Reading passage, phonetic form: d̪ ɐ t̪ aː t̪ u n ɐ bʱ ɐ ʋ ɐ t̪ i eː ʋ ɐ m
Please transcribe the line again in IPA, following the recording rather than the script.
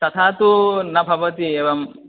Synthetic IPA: t̪ ɐ t̪ʰ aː t̪ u n ɐ bʱ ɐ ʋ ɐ t̪ i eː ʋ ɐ m